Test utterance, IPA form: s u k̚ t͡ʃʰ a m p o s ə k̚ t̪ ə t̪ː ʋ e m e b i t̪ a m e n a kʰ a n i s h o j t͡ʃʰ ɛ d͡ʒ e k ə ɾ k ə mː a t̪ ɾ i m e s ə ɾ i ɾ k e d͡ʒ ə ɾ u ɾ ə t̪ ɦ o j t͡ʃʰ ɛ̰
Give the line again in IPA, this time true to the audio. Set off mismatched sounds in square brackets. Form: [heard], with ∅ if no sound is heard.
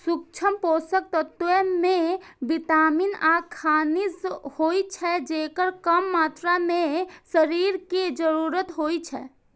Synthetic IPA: s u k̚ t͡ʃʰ [ə] m p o s ə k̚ t̪ ə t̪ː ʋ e m e b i t̪ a m [i] n a kʰ a n i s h o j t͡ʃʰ ɛ d͡ʒ e k ə ɾ k ə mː a t̪ ɾ [a] m e s ə ɾ i ɾ k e d͡ʒ ə ɾ u ɾ ə t̪ ɦ o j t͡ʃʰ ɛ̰